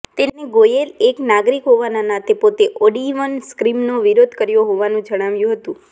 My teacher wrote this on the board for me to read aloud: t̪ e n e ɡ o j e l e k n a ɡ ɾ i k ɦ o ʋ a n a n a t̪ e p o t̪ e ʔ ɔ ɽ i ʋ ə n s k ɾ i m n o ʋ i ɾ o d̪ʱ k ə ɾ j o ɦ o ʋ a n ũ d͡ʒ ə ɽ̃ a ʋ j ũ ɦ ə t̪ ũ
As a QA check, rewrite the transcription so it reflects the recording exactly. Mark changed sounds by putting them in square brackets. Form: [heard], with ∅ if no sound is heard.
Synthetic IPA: t̪ e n e ɡ o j e l e k n a ɡ ɾ i k ɦ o ʋ a n a n a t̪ e p o t̪ e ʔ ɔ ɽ i ʋ ə n s k ɾ i m n o ʋ i ɾ o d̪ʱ k ə ɾ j o ɦ o ʋ a n ũ d͡ʒ ə ɽ̃ a ʋ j ũ ɦ ə t̪ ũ